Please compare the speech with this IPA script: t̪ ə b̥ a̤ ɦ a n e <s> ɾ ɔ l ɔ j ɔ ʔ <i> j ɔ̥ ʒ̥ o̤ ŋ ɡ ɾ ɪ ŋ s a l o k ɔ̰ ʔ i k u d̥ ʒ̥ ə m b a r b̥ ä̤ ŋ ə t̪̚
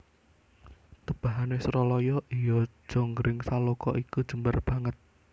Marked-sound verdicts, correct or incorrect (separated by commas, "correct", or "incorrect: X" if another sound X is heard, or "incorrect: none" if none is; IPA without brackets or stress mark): correct, correct